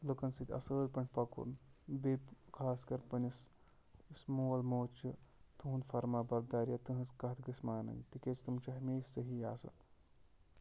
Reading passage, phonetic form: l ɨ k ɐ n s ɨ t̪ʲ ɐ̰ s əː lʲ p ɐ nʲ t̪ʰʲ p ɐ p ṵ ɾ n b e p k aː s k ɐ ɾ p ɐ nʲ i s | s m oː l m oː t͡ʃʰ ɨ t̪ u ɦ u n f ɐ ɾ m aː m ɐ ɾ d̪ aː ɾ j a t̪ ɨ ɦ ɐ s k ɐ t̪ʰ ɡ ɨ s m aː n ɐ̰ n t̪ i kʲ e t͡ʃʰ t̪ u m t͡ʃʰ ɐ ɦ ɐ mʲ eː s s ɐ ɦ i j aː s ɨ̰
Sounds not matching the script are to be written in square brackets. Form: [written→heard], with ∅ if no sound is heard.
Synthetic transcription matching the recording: l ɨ k ɐ n s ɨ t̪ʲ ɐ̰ s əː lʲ p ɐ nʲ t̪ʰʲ p ɐ [p→k] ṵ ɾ n b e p [k→kʰ] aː s k ɐ ɾ p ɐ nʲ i s | s m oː l m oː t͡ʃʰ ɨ t̪ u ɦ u n f ɐ ɾ m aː [m→b] ɐ ɾ d̪ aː ɾ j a t̪ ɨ ɦ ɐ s k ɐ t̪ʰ ɡ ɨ s m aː n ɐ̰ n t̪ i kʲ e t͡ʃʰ t̪ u m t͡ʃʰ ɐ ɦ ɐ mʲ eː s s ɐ ɦ i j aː s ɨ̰